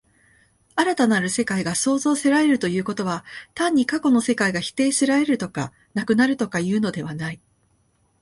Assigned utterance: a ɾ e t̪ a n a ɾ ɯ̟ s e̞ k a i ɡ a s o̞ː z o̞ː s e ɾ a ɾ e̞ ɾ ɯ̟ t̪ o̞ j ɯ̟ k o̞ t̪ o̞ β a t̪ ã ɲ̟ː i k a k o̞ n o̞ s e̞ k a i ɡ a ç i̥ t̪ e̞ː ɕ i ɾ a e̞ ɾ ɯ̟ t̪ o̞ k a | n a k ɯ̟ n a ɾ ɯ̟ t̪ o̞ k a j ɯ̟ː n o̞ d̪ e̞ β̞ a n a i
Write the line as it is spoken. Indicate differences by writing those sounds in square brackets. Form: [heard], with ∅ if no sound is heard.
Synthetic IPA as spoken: a ɾ [a] t̪ a n a ɾ ɯ̟ s e̞ k a i ɡ a s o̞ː z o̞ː s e ɾ a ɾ e̞ ɾ ɯ̟ t̪ o̞ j [ɯ̟ː] k o̞ t̪ o̞ β a t̪ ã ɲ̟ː i k a k o̞ n o̞ s e̞ k a i ɡ a ç i̥ t̪ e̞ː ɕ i ɾ a e̞ ɾ ɯ̟ t̪ o̞ k a | n a k ɯ̟ n a ɾ ɯ̟ t̪ o̞ k a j ɯ̟ː n o̞ d̪ e̞ β̞ a n a i

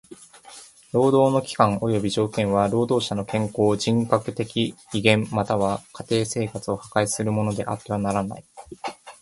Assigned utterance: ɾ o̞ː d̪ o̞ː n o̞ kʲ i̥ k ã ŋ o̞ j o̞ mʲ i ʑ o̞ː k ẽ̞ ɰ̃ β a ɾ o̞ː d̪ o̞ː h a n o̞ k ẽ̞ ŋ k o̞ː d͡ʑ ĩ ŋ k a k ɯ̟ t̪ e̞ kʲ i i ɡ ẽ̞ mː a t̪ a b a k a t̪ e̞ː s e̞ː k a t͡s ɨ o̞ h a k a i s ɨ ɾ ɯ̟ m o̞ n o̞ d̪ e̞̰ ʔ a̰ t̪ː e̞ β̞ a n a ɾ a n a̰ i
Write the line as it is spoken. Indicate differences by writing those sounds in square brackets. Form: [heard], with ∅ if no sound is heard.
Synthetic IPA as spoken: ɾ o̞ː d̪ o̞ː n o̞ kʲ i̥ k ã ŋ o̞ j o̞ [bʲ] i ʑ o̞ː k ẽ̞ ɰ̃ β a ɾ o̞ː d̪ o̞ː [ɕ] a n o̞ k ẽ̞ ŋ k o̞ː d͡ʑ ĩ ŋ k a k ɯ̟ t̪ e̞ kʲ i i ɡ ẽ̞ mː a t̪ a [β] a k a t̪ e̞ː s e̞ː k a t͡s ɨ o̞ h a k a i s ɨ ɾ ɯ̟ m o̞ n o̞ d̪ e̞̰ ʔ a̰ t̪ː e̞ β̞ a n a ɾ a n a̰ i

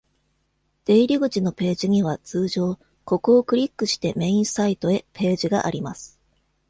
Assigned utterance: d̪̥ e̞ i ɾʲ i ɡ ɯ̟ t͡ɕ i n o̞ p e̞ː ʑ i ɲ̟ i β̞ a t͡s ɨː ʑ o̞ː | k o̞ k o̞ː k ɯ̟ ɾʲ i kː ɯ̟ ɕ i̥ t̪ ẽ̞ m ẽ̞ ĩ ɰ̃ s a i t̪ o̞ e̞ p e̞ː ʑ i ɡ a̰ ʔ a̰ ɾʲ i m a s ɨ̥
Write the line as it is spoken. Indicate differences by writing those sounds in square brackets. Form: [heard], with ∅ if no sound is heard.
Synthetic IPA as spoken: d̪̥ e̞ i ɾʲ i ɡ ɯ̟ t͡ɕ i n o̞ p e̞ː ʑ i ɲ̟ i β̞ a t͡s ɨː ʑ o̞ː | k o̞ k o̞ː k ɯ̟ ɾʲ i kː ɯ̟ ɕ i̥ t̪ [e̞] m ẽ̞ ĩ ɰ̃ s a i t̪ o̞ e̞ p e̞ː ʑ i ɡ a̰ ʔ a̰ ɾʲ i m a s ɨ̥

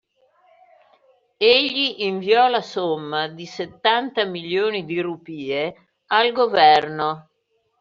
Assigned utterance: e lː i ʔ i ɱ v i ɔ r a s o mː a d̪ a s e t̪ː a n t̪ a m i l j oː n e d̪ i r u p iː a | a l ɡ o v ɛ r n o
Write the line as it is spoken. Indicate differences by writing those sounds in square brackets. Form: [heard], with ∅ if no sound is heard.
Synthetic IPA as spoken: e [ʎː] i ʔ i ɱ v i ɔ [l] a s o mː a d̪ [i] s e t̪ː a n t̪ a m i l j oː n [i] d̪ i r u p iː [e] | a l ɡ o v ɛ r n o

